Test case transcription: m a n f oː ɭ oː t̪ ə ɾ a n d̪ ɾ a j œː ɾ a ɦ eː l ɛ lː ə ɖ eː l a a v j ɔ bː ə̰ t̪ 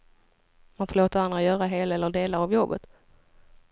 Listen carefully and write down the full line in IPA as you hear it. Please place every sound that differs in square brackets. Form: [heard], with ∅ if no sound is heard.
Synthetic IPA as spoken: m a n f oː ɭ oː t̪ ə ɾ a n d̪ ɾ a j œː ɾ a ɦ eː l ɛ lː ə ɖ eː l a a v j ɔ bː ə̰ t̪